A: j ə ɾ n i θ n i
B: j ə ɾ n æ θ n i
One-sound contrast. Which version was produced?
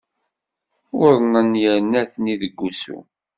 B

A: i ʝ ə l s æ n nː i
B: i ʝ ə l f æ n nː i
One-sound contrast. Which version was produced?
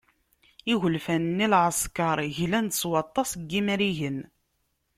B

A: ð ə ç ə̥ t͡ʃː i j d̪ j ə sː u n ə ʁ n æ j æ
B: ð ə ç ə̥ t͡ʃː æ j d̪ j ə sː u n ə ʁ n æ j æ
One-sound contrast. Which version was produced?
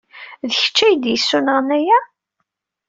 B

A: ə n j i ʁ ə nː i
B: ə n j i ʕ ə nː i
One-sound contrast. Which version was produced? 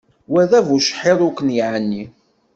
B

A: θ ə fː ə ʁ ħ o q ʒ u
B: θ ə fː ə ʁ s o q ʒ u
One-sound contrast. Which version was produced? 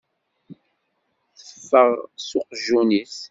B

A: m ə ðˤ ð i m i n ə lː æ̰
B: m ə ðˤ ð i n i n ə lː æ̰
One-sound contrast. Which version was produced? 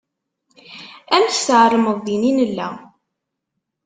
B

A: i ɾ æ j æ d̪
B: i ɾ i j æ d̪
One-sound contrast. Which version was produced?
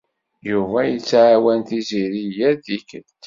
B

